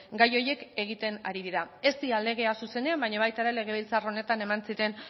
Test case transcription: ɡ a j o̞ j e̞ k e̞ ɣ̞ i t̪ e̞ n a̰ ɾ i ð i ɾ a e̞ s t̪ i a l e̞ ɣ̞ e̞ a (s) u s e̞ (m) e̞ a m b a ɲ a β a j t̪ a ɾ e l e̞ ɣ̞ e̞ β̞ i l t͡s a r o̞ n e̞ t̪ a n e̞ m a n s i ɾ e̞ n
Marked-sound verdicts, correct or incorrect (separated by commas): correct, incorrect